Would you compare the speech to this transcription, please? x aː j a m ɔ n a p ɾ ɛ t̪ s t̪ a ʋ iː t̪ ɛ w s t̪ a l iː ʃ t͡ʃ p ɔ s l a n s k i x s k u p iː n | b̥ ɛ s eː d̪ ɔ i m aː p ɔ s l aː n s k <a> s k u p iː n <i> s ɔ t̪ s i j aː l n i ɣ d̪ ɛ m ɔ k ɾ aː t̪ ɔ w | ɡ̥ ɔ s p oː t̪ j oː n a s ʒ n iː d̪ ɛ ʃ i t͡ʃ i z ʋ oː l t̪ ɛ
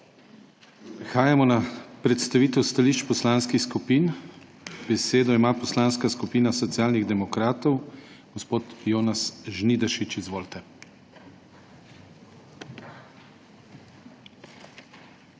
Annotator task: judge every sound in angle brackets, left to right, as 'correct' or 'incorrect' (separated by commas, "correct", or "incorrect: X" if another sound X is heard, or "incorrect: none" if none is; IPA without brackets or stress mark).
correct, incorrect: a